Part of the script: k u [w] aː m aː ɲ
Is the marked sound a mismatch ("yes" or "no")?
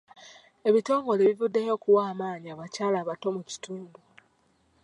no